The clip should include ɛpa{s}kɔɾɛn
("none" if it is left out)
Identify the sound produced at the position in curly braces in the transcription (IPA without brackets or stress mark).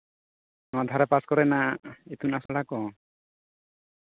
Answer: s